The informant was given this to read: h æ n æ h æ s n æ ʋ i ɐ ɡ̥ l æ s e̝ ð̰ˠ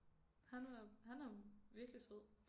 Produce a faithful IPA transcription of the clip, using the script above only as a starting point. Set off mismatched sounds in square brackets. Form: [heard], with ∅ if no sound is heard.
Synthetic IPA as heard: h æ n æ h æ [∅] n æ ʋ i ɐ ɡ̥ l [i] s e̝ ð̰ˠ